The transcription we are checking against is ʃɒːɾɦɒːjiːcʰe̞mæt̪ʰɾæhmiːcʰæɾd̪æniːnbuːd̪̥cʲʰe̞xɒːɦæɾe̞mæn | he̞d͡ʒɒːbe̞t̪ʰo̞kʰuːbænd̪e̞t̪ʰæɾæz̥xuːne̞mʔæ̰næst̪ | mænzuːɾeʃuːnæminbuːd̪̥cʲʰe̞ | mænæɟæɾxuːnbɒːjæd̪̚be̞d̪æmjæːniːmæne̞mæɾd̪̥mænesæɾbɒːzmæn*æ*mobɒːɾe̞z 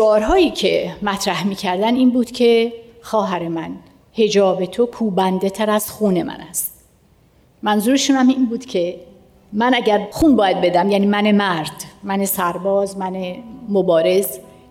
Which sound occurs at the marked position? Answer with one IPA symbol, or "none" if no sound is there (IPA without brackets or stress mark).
e